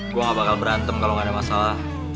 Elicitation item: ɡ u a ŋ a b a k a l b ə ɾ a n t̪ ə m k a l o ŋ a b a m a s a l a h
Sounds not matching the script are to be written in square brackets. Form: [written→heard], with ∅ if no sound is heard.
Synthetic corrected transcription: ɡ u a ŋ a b a k a l b ə ɾ a n t̪ ə m k a l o ŋ a [b→d] a m a s a l a h